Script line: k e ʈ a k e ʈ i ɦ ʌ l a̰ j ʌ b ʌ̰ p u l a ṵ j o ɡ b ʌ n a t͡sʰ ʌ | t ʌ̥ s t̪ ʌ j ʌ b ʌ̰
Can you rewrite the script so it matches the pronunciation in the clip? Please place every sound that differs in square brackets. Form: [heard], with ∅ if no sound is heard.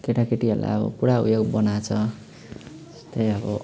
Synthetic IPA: k e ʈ a k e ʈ i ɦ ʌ l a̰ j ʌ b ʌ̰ p u [ɽ] a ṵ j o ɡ b ʌ n a t͡sʰ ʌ | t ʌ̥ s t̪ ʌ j ʌ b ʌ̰